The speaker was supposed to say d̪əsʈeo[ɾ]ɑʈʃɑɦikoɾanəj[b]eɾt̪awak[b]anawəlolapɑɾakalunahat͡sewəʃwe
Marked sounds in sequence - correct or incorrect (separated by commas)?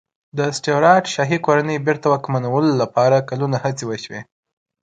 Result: correct, correct, incorrect